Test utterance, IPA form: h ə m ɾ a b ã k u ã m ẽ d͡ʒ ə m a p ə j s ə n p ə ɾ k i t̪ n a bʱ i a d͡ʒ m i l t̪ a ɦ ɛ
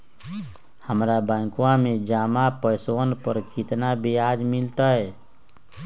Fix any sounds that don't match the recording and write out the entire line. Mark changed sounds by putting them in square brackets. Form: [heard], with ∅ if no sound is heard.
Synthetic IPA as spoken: h ə m ɾ a b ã k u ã m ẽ d͡ʒ [a] m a p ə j s ə n p ə ɾ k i t̪ n a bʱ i a d͡ʒ m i l t̪ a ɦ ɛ